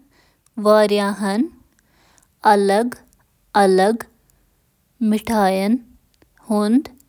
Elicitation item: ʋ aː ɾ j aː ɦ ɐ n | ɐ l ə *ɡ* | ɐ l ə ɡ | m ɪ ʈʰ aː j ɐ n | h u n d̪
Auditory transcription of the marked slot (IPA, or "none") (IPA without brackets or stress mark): ɡ